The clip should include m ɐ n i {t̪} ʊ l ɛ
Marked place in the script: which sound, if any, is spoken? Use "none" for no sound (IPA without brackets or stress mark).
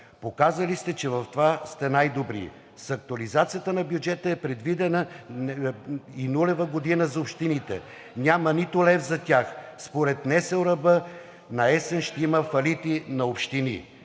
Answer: t̪